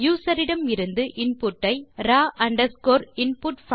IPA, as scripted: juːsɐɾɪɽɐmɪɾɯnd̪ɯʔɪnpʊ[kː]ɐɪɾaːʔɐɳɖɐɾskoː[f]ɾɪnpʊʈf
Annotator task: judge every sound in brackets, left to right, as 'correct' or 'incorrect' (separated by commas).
incorrect, incorrect